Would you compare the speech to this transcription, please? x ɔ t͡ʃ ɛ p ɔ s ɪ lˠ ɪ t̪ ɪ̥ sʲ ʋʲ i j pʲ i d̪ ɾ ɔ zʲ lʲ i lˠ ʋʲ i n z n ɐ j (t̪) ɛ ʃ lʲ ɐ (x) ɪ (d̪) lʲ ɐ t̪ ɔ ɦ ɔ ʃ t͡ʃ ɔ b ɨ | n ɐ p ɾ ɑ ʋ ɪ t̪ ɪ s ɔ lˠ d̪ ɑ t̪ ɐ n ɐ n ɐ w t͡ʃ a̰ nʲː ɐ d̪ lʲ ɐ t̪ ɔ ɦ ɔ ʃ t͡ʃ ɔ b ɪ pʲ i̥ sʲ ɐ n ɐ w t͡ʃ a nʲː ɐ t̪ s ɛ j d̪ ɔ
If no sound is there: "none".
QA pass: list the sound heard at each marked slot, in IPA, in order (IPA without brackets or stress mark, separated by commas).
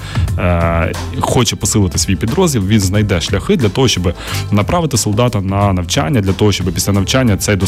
d̪, x, d̪